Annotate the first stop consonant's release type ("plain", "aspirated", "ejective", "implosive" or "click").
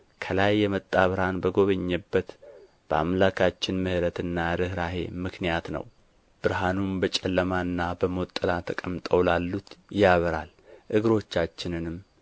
aspirated